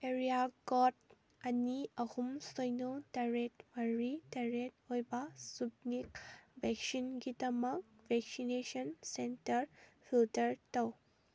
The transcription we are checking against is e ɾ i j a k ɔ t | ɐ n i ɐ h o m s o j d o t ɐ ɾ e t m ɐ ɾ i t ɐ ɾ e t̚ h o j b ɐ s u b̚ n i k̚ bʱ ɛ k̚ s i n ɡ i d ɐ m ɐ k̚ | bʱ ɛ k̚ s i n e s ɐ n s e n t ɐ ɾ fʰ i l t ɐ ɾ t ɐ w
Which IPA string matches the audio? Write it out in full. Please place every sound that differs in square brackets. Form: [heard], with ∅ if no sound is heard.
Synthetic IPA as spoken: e ɾ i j a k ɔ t | ɐ n i ɐ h [u] m s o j [n] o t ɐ ɾ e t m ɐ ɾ i t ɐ ɾ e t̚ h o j b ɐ s u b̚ n i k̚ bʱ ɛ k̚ s i n ɡ i d ɐ m ɐ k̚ | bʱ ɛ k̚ s i n e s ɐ n s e n t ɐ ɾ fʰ i l t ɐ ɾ t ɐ w